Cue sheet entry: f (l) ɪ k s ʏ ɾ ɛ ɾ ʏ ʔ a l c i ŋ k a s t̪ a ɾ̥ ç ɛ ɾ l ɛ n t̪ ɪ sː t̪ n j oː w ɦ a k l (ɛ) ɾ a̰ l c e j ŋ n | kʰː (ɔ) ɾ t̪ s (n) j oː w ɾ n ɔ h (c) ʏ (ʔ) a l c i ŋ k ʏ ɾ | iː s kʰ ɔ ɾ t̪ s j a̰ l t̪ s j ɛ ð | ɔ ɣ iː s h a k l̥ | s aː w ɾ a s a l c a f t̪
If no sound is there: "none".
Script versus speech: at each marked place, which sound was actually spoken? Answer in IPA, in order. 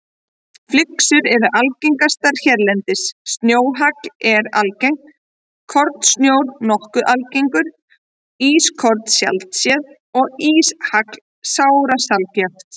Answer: l, ɛ, ɔ, n, k, ʔ

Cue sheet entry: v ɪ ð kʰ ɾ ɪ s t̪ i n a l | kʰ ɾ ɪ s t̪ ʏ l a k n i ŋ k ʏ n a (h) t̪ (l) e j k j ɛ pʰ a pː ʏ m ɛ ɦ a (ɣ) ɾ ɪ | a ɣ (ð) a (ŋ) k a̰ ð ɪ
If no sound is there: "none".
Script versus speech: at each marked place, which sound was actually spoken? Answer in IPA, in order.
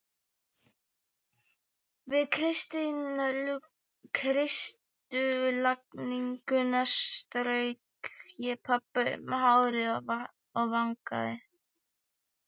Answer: s, ɾ, w, v, ŋ

